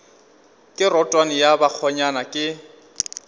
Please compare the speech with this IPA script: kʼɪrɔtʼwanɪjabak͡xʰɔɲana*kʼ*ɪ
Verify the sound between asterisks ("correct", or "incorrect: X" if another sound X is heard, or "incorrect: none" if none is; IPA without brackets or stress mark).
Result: correct